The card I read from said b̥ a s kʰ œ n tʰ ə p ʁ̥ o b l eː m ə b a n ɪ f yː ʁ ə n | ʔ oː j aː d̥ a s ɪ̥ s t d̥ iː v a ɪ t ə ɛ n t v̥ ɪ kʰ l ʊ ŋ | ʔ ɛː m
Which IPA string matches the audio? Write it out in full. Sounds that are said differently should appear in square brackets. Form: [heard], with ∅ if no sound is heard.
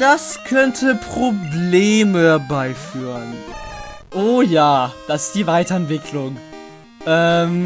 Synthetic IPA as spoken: [d̥] a s kʰ œ n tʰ ə p ʁ̥ o b l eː m ə b a [∅] ɪ f yː ʁ ə n | ʔ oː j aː d̥ a s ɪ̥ s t d̥ iː v a ɪ t [ɐ] ɛ n t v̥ ɪ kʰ l ʊ ŋ | ʔ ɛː m